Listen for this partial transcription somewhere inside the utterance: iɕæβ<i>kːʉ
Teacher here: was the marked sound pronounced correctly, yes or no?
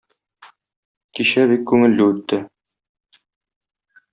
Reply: yes